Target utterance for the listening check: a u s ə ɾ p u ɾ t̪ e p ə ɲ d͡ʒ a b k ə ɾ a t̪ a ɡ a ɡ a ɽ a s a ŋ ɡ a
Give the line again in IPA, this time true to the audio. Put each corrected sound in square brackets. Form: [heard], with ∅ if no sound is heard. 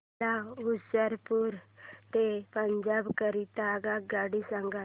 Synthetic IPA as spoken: a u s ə ɾ p u ɾ t̪ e p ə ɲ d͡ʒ a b k ə ɾ [i] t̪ a ɡ a ɡ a ɽ [i] s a ŋ ɡ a

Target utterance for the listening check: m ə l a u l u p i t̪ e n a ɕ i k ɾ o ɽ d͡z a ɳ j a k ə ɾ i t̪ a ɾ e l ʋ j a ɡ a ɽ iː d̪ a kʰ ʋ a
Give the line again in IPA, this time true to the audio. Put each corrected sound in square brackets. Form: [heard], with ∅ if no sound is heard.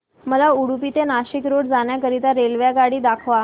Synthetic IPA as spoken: m ə l a u [ɽ] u p i t̪ e n a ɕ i k ɾ o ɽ d͡z a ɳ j a k ə ɾ i t̪ a ɾ e l ʋ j a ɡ a ɽ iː d̪ a kʰ ʋ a

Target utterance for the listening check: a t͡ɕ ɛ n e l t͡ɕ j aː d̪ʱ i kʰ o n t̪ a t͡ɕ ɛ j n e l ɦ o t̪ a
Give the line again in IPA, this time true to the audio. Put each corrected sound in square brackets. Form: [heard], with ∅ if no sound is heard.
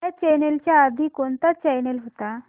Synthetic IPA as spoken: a t͡ɕ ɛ n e l t͡ɕ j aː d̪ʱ i [k] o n t̪ a t͡ɕ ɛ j n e l ɦ o t̪ a

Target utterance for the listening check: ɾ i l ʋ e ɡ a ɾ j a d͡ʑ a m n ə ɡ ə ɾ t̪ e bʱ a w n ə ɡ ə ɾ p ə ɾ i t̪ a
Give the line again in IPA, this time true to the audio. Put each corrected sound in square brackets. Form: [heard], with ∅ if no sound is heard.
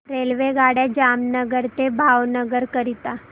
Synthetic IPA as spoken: ɾ [e] l ʋ e ɡ a [ɽ] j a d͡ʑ a m n ə ɡ ə ɾ t̪ e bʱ a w n ə ɡ ə ɾ [k] ə ɾ i t̪ a

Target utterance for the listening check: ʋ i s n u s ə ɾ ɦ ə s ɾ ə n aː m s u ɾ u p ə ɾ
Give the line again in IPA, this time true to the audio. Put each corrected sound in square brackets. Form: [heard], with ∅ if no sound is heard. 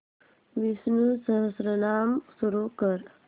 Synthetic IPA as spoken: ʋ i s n u s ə [∅] ɦ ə s ɾ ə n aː m s u ɾ u [k] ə ɾ

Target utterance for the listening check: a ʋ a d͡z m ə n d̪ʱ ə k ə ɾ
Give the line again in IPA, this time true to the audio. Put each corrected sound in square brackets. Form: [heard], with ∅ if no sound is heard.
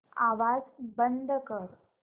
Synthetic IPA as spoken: a ʋ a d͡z [b] ə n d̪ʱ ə k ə ɾ

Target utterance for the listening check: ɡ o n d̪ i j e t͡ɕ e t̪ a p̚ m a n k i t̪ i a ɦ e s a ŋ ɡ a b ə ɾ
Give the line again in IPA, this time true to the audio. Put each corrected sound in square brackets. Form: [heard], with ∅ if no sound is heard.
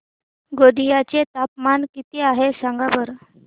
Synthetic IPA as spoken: ɡ o [∅] d̪ i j [a] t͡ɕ e t̪ a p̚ m a n k i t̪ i a ɦ e s a ŋ ɡ a b ə ɾ

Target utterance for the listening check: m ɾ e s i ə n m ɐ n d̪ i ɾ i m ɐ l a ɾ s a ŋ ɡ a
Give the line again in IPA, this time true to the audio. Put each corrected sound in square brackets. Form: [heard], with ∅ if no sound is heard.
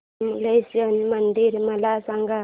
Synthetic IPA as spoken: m [l] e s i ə n m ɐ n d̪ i ɾ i m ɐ l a [∅] s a ŋ ɡ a

